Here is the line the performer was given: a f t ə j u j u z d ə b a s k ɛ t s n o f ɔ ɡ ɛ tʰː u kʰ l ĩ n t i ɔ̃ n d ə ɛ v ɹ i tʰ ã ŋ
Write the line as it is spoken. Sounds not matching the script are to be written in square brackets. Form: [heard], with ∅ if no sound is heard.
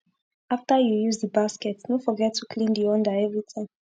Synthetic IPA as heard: a f t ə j u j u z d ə b a s k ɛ t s n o f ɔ ɡ ɛ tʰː u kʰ l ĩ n [d] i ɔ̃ n d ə ɛ v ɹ i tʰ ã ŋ